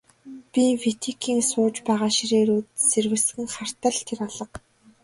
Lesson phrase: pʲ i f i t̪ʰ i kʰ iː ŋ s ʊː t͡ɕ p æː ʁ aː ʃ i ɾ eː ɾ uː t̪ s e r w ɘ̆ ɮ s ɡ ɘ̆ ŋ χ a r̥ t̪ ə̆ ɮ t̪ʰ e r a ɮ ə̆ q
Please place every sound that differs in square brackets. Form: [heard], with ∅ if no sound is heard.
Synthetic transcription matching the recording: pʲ i f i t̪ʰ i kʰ iː ŋ s ʊː t͡ɕ p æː ʁ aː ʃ i ɾ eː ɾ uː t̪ s e r w ɘ̆ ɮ s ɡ ɘ̆ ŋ χ a r̥ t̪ ə̆ ɮ t̪ʰ e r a ɮ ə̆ q